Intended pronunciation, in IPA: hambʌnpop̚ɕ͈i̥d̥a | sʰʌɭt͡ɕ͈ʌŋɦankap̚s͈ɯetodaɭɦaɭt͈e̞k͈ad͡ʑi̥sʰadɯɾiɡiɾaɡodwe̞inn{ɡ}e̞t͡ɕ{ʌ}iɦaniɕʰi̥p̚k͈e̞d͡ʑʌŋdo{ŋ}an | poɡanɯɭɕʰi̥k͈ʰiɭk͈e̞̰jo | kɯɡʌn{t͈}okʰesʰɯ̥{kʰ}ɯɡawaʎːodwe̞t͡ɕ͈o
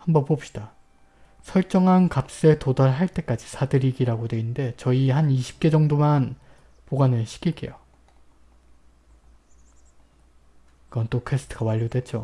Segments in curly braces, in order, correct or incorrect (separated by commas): incorrect, correct, incorrect, correct, incorrect